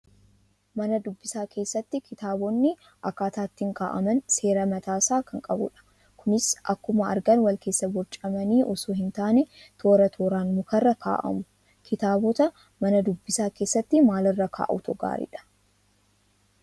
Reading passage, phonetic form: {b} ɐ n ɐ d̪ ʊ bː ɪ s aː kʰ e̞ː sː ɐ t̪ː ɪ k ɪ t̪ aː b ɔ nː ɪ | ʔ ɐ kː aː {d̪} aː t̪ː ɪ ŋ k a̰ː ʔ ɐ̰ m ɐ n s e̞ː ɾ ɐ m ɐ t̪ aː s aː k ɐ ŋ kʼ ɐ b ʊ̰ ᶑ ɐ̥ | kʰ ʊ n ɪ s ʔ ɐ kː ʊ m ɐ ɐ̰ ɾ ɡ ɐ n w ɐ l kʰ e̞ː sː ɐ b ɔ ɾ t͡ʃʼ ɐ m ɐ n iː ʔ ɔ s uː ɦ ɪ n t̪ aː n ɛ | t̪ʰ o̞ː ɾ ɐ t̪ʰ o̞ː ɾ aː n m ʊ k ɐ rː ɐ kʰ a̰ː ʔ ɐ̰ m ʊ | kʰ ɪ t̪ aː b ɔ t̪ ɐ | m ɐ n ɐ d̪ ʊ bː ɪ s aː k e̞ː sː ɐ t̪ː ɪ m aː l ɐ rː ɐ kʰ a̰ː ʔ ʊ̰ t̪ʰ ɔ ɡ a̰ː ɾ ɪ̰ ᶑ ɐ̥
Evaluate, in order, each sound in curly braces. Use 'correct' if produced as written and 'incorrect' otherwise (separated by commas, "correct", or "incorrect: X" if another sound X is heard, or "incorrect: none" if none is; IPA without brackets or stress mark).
incorrect: m, incorrect: t̪